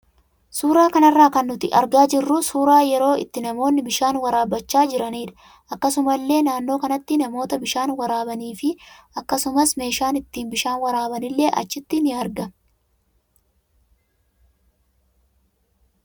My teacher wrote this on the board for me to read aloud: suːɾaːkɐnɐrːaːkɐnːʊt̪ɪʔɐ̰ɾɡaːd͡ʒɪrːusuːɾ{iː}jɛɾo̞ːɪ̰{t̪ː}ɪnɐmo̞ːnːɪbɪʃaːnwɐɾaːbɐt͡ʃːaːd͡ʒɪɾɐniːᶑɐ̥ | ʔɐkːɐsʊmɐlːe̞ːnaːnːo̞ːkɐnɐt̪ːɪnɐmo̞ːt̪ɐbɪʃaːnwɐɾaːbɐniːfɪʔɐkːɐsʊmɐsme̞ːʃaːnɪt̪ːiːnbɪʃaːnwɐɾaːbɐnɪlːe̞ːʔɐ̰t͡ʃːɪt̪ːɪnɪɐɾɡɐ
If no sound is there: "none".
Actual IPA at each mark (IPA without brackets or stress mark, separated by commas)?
aː, t̪ː